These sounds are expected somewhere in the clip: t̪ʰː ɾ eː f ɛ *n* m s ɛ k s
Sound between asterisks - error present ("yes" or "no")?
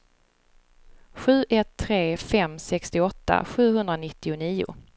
yes